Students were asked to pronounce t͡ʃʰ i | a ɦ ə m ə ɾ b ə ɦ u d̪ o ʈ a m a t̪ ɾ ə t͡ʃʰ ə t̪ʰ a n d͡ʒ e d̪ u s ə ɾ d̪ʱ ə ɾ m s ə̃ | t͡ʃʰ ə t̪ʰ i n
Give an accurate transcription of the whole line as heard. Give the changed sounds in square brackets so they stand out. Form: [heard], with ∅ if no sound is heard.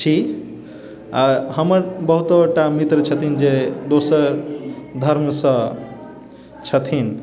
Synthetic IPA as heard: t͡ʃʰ i | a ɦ ə m ə ɾ b ə ɦ u [t̪] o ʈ a m [i] t̪ ɾ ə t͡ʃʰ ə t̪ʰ [i] n d͡ʒ e d̪ [o] s ə ɾ d̪ʱ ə ɾ m s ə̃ | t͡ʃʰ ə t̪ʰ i n